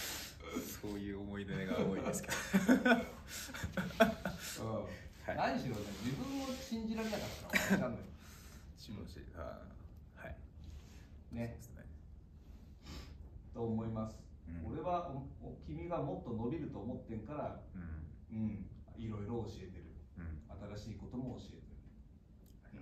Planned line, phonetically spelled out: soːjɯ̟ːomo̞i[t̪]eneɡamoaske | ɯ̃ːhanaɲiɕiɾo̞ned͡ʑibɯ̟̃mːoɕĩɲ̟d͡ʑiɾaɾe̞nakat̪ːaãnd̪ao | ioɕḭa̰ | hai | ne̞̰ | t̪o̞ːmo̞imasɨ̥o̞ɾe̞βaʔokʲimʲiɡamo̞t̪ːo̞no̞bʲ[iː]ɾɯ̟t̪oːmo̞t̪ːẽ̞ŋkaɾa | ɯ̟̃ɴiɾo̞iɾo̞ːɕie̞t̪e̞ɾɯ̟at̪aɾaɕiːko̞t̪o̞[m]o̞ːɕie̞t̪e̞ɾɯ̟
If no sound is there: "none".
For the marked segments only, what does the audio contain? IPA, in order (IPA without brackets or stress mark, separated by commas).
d̪, i, m